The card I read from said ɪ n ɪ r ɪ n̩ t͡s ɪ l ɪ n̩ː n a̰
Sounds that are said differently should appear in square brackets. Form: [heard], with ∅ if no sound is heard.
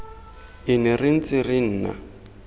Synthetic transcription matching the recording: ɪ n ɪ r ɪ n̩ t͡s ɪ [r] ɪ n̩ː n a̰

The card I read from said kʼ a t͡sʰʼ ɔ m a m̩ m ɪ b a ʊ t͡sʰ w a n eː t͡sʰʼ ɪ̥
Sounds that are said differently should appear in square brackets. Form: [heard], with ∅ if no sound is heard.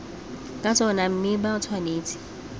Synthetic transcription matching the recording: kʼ a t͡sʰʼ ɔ [n] a m̩ m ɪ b a ʊ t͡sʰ w a n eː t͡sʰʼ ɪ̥

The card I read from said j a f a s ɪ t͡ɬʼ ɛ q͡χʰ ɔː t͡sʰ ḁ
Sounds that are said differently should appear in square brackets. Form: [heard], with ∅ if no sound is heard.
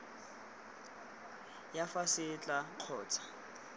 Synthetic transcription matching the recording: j a f a s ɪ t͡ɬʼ [a] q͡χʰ ɔː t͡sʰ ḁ

